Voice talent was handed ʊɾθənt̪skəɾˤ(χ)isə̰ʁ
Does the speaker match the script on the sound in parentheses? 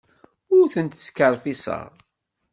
no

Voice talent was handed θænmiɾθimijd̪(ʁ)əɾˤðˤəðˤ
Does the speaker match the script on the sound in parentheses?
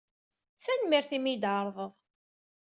no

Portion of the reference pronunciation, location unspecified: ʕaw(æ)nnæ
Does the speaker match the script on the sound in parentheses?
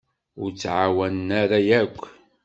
yes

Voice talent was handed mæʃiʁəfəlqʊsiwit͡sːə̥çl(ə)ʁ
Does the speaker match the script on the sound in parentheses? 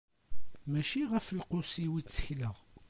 yes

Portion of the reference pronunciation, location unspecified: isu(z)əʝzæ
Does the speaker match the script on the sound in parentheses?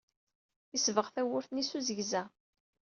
yes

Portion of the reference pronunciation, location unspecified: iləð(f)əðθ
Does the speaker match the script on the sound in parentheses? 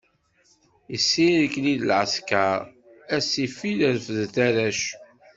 yes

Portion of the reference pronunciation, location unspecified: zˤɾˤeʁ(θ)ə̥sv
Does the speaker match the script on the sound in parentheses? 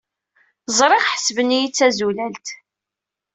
no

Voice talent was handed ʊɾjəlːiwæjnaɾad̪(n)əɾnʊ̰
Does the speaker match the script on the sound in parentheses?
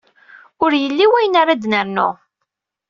yes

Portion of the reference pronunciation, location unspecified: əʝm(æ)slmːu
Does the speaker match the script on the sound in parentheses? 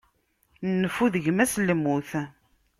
yes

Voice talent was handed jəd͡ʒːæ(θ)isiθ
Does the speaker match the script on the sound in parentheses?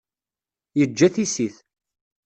yes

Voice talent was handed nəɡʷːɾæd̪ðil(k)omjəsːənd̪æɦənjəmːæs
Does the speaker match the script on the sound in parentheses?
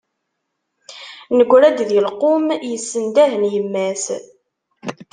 no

